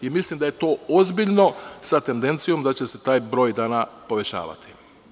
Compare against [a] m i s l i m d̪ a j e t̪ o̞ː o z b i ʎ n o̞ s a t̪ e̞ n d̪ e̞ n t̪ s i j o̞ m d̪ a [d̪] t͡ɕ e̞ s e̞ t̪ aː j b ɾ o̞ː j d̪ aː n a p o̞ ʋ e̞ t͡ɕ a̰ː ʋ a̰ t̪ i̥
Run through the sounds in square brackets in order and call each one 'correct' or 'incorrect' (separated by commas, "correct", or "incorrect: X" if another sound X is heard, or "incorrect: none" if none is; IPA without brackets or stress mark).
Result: incorrect: i, incorrect: none